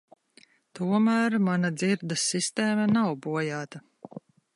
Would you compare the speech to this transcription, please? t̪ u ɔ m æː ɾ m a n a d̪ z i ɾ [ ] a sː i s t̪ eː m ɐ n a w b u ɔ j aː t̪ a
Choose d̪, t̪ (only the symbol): d̪